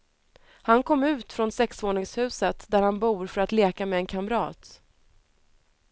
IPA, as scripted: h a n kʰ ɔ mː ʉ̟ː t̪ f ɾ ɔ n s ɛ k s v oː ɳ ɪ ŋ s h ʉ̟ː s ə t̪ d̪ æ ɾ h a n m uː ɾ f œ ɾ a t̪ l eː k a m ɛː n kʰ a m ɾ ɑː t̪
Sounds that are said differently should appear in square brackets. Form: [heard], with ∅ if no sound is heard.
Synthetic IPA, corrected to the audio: h a n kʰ ɔ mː ʉ̟ː t̪ f ɾ ɔ n s ɛ k s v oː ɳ ɪ ŋ s h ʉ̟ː s ə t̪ d̪ æ ɾ h a n [b] uː ɾ f œ ɾ a t̪ l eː k a m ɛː n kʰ a m ɾ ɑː t̪